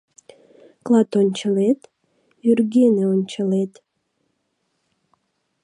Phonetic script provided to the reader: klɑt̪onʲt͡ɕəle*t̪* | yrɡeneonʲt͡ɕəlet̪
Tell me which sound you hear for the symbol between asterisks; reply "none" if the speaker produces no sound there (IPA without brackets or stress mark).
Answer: t̪